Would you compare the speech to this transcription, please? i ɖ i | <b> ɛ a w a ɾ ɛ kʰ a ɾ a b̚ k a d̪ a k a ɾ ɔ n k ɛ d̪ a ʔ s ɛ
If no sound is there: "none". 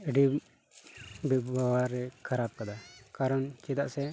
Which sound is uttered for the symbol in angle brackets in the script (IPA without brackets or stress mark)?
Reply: b